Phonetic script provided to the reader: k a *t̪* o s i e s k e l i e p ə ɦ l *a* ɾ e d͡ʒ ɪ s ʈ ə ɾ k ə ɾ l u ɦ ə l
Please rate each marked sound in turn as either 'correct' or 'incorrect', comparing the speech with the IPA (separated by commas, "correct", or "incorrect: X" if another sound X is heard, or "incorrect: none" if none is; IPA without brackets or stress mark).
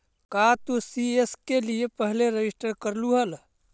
correct, incorrect: e